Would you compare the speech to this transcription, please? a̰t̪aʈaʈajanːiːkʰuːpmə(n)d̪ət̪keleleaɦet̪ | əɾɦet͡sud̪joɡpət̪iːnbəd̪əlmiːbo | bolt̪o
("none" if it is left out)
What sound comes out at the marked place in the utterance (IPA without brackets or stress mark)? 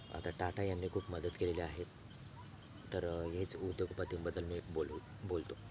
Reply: none